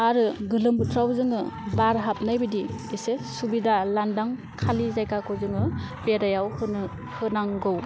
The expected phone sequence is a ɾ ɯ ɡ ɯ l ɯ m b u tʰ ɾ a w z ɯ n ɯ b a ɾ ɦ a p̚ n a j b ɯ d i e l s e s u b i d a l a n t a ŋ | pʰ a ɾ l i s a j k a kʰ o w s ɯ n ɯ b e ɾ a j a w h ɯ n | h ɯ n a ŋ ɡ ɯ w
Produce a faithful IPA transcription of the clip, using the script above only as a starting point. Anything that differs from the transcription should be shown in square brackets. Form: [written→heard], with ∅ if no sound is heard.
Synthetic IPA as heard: a ɾ ɯ ɡ ɯ l ɯ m b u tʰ ɾ a w z ɯ [n→ŋ] ɯ b a ɾ ɦ a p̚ n a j b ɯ d i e [l→∅] s e s u b i d a l a n [t→d] a ŋ | [pʰ→kʰ] a [ɾ→∅] l i [s→z] a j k a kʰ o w [s→z] ɯ [n→ŋ] ɯ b e ɾ a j a w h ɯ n | h ɯ n a ŋ ɡ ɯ w